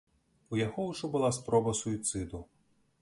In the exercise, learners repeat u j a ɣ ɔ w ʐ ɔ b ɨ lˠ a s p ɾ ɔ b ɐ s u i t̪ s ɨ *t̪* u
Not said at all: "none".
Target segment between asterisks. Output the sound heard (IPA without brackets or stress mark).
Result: d̪